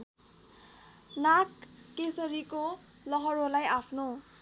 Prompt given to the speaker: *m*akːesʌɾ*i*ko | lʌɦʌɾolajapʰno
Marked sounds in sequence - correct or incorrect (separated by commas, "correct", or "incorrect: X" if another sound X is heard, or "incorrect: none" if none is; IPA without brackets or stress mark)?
incorrect: n, correct